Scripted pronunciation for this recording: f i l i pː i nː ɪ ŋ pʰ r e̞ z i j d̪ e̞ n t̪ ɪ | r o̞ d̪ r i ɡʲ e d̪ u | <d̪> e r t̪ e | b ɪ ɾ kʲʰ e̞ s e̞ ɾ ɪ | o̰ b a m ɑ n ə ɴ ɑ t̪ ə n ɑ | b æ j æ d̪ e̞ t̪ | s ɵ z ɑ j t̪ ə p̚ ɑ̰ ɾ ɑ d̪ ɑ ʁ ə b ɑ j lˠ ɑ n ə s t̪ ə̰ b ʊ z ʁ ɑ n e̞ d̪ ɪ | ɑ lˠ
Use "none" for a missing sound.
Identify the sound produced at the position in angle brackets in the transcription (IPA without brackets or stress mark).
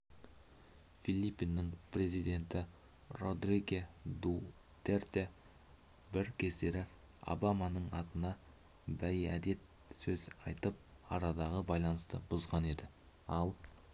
t̪